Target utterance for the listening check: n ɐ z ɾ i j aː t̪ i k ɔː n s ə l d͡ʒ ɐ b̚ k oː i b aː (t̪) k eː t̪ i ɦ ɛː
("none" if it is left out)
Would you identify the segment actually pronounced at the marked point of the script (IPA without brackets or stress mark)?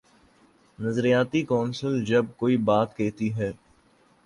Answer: t̪